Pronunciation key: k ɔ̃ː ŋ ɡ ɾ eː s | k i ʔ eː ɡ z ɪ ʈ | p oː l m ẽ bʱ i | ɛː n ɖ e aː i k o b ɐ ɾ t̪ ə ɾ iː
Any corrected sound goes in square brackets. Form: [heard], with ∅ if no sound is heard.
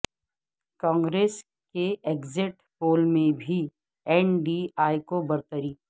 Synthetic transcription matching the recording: k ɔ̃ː ŋ ɡ ɾ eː s | k [e] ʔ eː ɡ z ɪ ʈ | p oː l m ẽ bʱ i | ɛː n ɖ [i] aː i k o b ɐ ɾ t̪ ə ɾ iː